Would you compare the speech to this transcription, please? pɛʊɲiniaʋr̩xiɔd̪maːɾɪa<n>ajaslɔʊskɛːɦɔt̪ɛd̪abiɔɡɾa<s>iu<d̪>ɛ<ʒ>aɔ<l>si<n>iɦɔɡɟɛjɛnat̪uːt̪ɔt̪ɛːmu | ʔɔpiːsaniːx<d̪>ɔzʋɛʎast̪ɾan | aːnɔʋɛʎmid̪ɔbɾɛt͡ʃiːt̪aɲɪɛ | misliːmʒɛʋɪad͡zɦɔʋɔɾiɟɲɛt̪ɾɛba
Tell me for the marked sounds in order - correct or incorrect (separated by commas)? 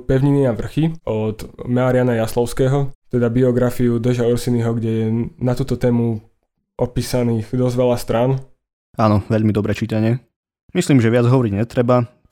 correct, incorrect, correct, correct, incorrect, correct, correct